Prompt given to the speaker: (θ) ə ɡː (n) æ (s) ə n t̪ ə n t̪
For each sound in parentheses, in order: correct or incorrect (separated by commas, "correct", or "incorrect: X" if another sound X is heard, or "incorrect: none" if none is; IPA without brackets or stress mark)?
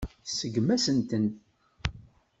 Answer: incorrect: s, incorrect: m, correct